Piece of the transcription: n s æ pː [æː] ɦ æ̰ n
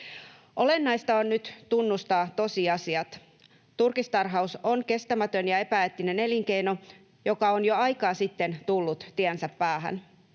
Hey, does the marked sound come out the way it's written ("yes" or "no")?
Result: yes